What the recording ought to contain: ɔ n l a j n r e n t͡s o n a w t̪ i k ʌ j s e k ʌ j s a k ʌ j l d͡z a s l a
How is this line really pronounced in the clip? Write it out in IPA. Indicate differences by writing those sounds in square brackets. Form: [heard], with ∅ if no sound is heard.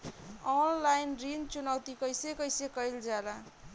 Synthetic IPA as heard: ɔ n l a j n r [i] n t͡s [u] n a w t̪ i k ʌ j s e k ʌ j s [e] k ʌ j l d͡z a [∅] l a